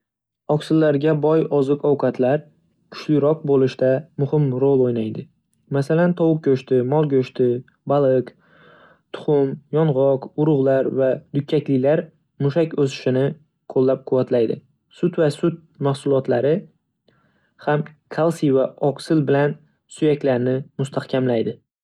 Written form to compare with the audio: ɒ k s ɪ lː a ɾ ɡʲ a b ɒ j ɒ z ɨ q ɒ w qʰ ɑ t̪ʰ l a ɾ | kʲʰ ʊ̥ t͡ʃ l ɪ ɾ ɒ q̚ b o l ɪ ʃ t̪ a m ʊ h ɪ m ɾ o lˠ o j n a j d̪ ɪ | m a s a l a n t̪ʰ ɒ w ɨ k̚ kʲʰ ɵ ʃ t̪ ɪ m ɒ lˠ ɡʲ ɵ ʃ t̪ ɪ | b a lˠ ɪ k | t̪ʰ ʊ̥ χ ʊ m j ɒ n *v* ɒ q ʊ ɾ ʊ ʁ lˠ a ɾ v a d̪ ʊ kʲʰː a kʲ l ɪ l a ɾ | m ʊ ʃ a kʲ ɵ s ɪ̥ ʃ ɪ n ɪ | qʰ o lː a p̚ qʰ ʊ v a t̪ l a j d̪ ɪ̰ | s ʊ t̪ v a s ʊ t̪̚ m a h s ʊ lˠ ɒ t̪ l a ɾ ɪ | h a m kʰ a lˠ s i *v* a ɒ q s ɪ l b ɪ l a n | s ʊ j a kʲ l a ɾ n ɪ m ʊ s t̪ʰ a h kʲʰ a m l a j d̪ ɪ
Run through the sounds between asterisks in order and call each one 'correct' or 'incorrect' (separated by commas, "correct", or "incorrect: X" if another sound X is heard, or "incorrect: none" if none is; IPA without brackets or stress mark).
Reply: incorrect: ʁ, correct